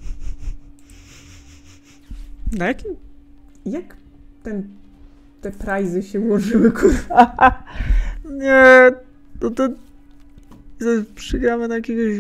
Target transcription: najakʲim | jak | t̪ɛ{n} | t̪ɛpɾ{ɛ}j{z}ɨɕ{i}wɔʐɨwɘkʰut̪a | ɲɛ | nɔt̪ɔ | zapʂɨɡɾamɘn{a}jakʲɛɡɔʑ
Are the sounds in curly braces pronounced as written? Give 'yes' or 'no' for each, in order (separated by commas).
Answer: yes, no, yes, no, yes